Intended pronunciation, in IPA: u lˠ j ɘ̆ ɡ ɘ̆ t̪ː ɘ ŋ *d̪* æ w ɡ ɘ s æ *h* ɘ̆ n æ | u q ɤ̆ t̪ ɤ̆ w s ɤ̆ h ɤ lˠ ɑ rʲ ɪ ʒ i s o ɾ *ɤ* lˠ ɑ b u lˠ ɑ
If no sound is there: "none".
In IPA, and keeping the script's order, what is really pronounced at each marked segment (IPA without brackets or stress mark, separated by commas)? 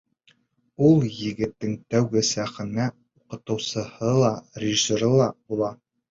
t̪, χ, ɤ